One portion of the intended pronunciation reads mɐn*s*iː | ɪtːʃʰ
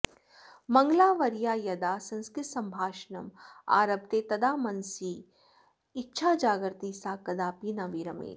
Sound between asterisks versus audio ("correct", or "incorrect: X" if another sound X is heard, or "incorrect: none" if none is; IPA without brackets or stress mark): correct